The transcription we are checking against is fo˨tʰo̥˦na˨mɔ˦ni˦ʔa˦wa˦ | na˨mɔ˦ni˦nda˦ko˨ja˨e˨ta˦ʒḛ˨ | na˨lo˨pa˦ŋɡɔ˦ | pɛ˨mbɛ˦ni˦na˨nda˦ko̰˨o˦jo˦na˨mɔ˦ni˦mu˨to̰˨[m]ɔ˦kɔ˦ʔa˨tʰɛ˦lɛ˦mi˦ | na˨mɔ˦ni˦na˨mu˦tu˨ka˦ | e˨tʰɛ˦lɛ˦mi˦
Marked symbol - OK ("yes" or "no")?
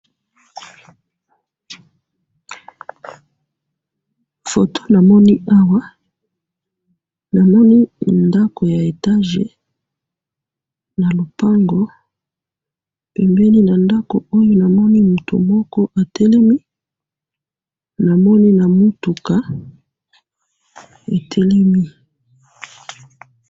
yes